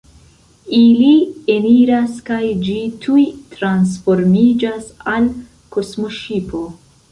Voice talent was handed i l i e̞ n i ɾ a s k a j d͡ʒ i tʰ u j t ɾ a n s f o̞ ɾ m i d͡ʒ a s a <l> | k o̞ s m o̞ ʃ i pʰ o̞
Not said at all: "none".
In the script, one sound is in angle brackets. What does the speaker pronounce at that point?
l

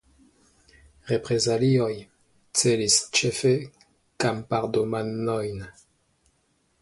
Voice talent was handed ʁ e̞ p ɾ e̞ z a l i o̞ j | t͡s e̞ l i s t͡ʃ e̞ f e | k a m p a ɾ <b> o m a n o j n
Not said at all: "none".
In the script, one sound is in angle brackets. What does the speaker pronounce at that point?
d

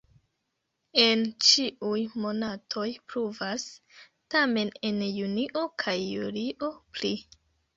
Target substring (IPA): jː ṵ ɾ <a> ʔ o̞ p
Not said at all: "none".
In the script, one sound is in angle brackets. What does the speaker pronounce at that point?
i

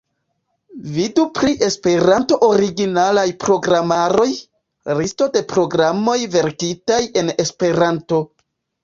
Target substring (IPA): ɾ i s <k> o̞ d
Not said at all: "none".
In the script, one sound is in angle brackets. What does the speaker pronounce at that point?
t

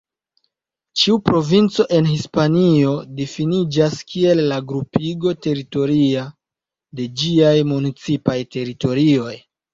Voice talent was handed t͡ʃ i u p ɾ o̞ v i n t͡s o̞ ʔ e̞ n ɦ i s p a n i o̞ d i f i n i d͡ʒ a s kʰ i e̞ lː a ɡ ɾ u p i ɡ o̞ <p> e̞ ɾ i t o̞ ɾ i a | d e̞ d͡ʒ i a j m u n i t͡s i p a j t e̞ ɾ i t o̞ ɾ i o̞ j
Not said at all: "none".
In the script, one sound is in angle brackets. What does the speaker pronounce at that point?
t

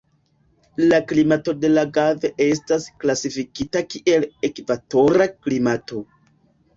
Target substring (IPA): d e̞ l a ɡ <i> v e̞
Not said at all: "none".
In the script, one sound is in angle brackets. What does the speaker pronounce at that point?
a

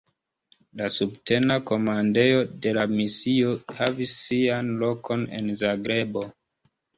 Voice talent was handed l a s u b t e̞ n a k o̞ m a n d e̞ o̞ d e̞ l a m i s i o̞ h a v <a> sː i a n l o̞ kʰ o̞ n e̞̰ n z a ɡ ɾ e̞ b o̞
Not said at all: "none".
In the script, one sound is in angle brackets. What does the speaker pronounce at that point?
i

